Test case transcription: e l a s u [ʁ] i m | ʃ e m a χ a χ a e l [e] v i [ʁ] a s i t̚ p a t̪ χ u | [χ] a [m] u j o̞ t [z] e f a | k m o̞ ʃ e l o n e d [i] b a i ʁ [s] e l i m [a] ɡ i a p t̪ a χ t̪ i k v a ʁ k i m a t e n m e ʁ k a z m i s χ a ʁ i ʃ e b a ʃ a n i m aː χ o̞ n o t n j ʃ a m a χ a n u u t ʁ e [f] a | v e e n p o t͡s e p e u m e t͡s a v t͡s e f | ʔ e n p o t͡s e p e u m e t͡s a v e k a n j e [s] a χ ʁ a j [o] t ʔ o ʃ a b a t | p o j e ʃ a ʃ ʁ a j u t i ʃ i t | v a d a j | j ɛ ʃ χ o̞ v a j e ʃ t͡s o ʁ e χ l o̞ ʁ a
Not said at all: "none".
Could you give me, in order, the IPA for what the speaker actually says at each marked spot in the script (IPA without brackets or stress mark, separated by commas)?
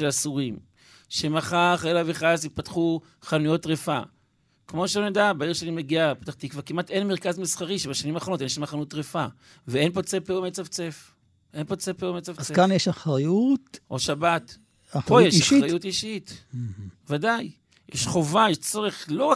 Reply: ʁ, a, χ, χ, n, ʁ, a, ʃ, e, f, ʃ, u